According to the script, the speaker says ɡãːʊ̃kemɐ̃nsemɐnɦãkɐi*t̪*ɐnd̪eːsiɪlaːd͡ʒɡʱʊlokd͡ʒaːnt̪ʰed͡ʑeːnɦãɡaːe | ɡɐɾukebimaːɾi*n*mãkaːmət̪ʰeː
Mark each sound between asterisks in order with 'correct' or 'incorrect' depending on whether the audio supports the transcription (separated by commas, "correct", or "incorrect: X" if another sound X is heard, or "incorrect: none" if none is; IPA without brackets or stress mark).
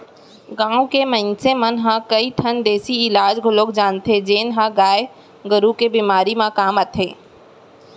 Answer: incorrect: t̪ʰ, incorrect: none